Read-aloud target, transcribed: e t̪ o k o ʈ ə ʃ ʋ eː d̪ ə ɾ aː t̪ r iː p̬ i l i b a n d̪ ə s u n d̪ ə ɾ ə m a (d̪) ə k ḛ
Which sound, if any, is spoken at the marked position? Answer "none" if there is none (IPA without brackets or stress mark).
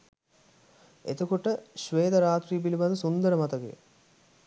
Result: t̪